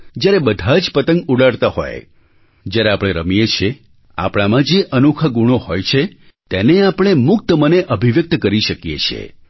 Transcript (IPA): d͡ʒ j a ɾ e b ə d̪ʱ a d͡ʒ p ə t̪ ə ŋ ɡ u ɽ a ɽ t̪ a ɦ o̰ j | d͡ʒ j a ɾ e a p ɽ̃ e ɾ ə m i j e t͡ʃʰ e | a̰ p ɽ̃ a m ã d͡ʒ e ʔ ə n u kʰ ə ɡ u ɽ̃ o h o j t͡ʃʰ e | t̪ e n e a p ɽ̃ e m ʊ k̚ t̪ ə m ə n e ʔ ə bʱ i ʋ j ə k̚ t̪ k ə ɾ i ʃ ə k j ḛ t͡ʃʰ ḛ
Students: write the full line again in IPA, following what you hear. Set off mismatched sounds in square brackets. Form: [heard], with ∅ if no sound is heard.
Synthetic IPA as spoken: d͡ʒ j a ɾ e b ə d̪ʱ a d͡ʒ p ə t̪ ə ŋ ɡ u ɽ a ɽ t̪ a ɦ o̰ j | d͡ʒ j a ɾ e a p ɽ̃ e ɾ ə m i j e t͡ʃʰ e | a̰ p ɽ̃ a m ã d͡ʒ e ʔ ə n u kʰ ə ɡ u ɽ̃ o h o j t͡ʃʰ e | t̪ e n e a p ɽ̃ e m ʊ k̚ t̪ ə m ə n e ʔ ə bʱ i ʋ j ə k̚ t̪ k ə ɾ i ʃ ə k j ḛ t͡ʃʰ ḛ